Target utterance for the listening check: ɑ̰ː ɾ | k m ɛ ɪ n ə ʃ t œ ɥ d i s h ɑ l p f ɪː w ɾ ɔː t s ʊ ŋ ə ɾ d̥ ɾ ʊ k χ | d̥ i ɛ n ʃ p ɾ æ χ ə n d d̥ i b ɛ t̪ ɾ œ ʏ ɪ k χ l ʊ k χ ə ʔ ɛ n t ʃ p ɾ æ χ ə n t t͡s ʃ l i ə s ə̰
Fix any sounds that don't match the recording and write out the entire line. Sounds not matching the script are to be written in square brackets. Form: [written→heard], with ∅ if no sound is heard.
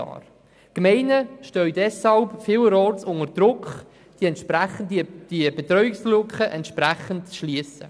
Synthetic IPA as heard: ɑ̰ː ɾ | k m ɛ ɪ n ə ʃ t œ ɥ d [i→ɛ] s h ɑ l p f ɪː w ɾ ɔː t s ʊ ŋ ə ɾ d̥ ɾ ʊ k χ | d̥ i ɛ n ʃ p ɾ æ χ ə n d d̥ i b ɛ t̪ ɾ œ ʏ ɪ k [χ→s] l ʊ k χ ə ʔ ɛ n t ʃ p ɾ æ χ ə n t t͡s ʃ l i ə s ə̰